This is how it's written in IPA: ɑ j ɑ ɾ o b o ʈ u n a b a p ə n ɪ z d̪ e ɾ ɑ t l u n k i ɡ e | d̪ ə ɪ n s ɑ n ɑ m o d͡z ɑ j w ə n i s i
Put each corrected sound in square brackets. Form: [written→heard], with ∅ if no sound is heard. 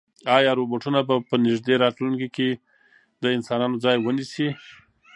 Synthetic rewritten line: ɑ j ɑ ɾ o b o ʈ u n a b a p ə n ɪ [z→ʒ] d̪ e ɾ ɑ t l u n k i [ɡ→k] e | d̪ ə ɪ n s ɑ n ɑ [m→n] o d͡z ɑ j w ə n i s i